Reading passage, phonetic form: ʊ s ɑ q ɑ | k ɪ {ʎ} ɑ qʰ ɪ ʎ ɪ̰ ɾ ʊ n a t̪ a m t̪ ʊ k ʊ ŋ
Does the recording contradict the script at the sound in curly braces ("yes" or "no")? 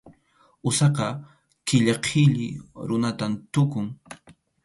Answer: no